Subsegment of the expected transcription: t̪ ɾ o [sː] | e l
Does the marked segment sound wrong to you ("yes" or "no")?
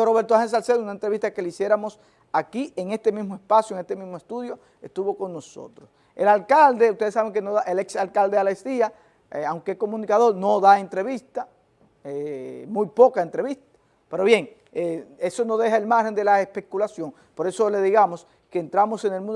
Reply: yes